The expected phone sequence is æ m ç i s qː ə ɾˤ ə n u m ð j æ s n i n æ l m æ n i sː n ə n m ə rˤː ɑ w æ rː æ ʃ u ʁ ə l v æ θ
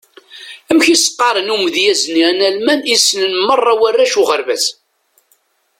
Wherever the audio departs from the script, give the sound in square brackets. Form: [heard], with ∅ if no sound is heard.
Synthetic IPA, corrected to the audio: æ m ç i s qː [ɑ] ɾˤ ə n u m ð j æ [z] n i n æ l m æ n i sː n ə n m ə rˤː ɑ w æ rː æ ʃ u ʁ ə [ɾ] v æ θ